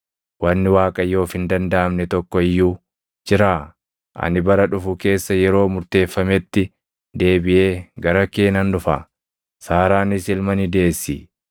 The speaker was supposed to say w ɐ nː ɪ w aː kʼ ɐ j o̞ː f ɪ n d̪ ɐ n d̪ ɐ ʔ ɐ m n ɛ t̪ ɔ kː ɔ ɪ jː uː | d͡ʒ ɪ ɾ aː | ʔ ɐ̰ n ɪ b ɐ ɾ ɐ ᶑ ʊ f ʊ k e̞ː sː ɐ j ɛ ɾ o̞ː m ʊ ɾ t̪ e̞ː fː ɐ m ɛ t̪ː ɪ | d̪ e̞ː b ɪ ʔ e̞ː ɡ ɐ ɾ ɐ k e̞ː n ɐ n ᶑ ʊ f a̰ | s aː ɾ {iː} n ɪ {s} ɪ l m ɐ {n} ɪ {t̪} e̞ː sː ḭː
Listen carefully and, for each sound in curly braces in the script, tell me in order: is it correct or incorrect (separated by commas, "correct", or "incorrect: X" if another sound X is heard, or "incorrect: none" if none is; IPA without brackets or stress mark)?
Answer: incorrect: aː, correct, correct, incorrect: d̪